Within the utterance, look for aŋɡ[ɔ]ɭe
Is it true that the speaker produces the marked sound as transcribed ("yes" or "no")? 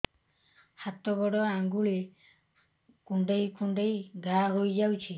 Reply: no